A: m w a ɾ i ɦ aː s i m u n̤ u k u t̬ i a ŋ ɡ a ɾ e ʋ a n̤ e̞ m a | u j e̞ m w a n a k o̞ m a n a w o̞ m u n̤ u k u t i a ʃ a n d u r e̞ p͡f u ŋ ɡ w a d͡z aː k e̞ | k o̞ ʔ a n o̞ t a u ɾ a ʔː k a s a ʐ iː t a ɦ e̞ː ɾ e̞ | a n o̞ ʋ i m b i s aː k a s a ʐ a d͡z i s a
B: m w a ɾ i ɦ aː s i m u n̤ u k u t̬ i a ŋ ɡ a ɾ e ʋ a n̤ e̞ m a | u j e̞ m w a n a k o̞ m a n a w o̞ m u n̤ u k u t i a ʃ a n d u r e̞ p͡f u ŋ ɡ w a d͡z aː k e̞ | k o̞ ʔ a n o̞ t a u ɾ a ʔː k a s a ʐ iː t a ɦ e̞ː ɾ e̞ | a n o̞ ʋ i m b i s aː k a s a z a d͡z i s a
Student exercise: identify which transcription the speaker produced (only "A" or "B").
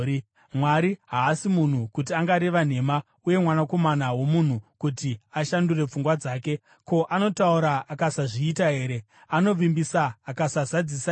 B